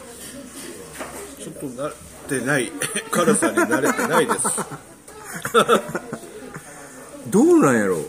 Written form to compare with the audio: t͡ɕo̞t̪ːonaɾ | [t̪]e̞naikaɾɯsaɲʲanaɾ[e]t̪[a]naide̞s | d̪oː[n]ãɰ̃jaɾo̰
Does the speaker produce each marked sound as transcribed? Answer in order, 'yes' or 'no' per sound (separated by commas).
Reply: yes, yes, no, yes